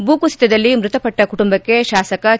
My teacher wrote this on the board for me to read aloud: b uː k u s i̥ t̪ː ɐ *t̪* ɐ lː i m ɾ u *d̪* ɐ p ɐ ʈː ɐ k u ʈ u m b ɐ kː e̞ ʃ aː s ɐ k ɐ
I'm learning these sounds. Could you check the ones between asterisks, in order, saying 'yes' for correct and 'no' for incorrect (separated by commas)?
no, no